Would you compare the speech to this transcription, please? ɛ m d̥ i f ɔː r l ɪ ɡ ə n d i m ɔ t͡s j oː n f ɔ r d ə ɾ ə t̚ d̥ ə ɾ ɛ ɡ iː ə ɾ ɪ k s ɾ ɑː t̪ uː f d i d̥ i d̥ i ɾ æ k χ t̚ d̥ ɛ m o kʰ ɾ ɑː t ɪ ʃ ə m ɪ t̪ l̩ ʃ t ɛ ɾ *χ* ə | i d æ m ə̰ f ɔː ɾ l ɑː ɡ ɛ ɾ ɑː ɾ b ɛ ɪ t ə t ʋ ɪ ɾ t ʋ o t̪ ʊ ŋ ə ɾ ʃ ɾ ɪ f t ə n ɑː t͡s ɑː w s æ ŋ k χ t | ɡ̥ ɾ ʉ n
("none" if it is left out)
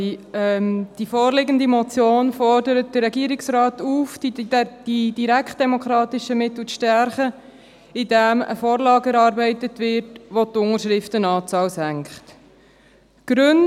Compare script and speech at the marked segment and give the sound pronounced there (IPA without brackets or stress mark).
χ